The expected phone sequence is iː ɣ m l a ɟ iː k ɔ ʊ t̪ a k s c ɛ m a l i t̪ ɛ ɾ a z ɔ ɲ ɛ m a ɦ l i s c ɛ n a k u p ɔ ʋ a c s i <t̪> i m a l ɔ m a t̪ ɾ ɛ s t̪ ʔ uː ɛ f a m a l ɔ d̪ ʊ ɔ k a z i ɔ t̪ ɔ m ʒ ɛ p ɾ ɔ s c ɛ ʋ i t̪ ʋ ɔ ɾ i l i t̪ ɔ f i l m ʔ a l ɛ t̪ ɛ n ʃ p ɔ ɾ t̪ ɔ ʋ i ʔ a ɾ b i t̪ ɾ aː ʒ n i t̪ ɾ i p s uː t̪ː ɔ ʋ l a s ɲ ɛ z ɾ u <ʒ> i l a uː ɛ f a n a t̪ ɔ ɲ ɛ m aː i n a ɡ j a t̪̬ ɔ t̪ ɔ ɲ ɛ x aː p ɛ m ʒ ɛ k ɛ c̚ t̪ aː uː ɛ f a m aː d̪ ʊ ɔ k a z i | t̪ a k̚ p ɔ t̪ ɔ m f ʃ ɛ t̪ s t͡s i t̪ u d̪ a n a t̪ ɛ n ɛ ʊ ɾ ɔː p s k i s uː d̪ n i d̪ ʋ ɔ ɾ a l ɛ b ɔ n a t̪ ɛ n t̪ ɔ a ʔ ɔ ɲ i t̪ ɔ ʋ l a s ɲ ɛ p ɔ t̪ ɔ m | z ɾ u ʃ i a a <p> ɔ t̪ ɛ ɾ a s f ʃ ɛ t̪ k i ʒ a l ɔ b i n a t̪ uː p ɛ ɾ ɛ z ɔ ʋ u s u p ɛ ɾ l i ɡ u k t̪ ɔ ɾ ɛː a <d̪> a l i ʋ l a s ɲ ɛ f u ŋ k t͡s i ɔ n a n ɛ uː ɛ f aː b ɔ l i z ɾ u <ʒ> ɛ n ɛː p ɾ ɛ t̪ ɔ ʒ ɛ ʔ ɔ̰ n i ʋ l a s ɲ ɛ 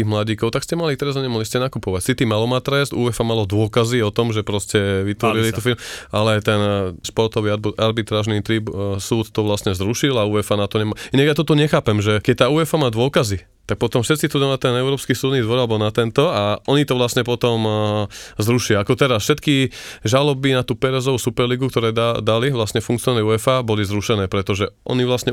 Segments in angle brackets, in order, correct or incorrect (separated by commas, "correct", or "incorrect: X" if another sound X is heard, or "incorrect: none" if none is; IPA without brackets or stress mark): correct, incorrect: ʃ, incorrect: k, correct, incorrect: ʃ